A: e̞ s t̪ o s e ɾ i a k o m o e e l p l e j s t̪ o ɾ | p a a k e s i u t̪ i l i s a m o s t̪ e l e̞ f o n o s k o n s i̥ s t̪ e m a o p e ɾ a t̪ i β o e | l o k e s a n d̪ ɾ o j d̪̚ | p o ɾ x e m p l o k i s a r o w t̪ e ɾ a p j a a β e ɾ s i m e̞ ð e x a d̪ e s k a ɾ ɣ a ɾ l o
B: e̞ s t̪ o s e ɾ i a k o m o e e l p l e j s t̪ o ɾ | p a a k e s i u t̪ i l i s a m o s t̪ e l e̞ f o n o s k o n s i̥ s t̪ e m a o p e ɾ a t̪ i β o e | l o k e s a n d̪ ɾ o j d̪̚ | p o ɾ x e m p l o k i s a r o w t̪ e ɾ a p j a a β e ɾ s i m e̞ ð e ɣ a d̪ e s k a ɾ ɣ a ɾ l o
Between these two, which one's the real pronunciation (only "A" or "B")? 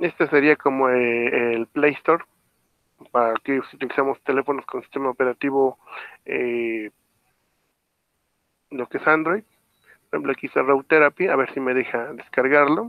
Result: A